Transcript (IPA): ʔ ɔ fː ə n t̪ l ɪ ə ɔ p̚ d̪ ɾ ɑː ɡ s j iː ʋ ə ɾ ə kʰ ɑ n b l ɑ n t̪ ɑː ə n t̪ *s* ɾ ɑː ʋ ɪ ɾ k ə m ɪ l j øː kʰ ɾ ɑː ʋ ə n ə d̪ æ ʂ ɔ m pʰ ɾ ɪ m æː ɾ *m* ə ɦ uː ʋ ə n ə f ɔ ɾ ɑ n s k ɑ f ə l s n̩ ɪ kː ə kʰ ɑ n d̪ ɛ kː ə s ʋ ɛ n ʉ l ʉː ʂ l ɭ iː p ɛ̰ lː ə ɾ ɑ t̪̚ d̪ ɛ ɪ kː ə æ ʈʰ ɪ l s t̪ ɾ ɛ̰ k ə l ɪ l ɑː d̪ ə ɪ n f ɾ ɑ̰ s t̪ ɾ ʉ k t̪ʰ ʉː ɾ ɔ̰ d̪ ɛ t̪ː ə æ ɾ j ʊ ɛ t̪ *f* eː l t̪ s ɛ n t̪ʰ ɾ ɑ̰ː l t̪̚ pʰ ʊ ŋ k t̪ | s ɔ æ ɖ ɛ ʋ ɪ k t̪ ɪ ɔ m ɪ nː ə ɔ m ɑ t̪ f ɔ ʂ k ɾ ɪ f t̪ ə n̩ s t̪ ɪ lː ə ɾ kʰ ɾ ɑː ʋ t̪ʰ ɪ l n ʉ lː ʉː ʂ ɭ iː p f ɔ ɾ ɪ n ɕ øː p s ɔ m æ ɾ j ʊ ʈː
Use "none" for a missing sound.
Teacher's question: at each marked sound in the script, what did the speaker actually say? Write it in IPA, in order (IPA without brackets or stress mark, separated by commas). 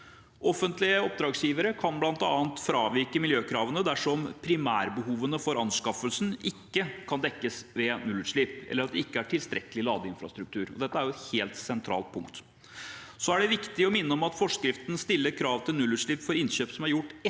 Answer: f, b, h